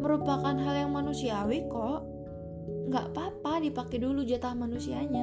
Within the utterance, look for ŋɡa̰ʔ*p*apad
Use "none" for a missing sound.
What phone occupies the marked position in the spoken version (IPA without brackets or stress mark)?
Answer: p